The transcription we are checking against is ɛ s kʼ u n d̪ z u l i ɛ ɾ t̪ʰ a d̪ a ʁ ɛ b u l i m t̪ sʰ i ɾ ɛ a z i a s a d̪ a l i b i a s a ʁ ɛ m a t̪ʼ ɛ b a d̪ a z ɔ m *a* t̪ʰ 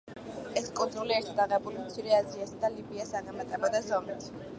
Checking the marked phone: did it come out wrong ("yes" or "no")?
yes